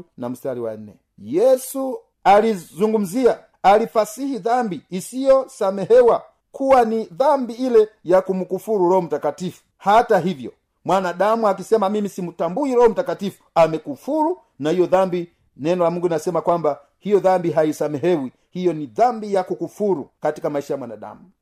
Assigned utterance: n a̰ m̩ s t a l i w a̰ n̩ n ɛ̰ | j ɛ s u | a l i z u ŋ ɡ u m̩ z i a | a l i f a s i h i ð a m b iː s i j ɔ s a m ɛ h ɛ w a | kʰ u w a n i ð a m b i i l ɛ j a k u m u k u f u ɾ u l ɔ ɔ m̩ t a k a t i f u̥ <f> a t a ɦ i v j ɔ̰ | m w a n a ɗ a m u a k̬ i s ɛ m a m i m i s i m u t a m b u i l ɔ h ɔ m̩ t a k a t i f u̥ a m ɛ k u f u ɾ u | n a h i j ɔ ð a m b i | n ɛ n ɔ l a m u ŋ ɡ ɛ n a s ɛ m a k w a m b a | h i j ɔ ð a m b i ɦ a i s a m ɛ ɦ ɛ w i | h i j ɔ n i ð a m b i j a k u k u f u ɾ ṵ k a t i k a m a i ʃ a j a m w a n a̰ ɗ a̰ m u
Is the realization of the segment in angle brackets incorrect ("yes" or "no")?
yes